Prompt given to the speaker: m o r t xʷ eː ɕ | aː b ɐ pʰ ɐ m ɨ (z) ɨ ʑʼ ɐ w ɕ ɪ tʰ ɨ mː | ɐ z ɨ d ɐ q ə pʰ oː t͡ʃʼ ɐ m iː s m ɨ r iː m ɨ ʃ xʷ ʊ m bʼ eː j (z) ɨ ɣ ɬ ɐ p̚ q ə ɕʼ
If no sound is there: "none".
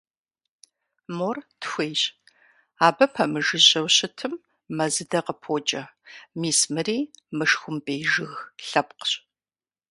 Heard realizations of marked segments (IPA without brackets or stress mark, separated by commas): ʒ, ʒ